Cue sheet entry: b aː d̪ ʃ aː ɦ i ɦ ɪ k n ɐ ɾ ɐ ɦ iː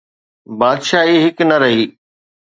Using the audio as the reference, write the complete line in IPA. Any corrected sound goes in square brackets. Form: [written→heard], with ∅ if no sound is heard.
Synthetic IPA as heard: b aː d̪ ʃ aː ɦ i ɦ ɪ k n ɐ ɾ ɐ ɦ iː